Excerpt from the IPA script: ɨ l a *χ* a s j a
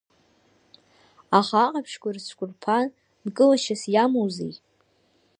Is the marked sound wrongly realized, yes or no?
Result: yes